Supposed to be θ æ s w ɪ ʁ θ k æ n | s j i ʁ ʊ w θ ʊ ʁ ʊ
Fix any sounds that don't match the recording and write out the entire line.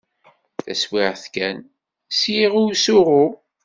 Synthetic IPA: θ æ s w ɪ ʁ θ k æ n | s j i ʁ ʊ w s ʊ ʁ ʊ